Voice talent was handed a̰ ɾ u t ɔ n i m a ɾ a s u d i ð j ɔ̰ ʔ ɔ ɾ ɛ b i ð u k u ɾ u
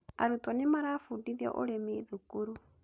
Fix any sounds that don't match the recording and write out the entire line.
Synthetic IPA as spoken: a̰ ɾ u t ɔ n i m a ɾ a f u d i ð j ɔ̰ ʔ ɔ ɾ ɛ m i ð u k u ɾ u